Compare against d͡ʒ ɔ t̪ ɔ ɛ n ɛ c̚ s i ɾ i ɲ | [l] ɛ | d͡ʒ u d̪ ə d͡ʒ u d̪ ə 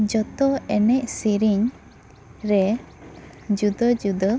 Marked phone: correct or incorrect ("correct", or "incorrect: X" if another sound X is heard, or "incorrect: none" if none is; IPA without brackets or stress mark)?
incorrect: ɾ